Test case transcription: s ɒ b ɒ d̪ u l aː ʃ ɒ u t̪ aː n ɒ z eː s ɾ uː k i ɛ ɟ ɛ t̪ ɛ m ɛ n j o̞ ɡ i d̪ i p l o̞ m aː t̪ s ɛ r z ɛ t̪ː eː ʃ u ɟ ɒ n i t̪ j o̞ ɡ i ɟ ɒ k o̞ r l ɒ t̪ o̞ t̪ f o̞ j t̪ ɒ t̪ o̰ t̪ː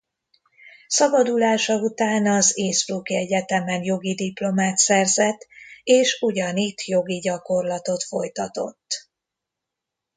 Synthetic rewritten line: s ɒ b ɒ d̪ u l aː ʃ ɒ u t̪ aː n ɒ z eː s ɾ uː k i ɛ ɟ ɛ t̪ ɛ m ɛ n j o̞ ɡ i d̪ i p l o̞ m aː t̪ s ɛ r z ɛ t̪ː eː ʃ u ɟ ɒ n i t̪ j o̞ ɡ i ɟ ɒ k o̞ r l ɒ t̪ o̞ t̪ f o̞ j t̪ ɒ t̪ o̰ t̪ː